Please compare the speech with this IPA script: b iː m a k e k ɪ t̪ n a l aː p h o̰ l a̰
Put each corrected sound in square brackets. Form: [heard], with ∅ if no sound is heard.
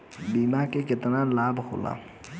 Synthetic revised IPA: b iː m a k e k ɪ t̪ n a l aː [b] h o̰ l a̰